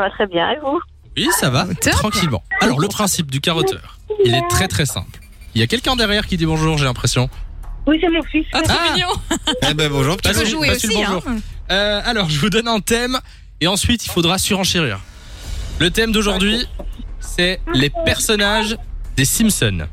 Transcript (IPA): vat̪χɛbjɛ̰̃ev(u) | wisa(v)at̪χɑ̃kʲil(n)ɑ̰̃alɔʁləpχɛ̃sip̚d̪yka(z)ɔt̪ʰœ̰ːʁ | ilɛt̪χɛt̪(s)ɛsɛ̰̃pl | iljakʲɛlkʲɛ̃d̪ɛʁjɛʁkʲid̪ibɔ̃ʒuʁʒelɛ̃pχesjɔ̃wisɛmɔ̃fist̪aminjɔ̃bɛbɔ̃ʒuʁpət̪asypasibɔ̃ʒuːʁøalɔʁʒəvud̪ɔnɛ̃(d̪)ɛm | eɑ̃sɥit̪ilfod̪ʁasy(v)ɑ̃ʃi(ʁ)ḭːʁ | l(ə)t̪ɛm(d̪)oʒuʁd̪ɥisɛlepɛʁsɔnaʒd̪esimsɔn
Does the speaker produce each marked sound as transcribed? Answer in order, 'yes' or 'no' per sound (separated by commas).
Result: yes, yes, no, no, no, no, no, yes, yes, yes